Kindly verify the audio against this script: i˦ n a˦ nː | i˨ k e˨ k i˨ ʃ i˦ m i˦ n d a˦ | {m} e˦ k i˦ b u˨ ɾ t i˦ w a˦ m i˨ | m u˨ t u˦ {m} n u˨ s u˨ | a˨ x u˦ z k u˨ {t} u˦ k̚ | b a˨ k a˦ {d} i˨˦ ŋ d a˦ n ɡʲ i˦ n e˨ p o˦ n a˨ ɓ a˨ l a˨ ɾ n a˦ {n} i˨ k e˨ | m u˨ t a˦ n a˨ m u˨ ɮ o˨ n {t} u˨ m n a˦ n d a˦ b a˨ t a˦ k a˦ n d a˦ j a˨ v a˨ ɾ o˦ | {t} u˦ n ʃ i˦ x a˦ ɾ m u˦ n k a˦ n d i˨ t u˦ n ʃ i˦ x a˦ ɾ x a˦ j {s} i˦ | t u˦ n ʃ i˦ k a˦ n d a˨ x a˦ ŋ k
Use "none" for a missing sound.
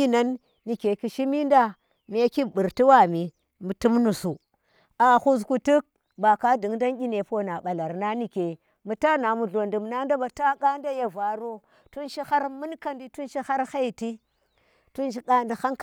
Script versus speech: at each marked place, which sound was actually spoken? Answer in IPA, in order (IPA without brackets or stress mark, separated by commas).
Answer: m, m, t, d, n, d, t, t